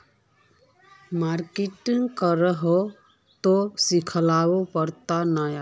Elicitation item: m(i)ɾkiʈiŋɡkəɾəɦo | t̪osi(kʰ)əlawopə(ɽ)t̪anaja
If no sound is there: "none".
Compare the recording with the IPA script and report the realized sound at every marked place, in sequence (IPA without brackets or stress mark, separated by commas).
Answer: a, kʰ, ɾ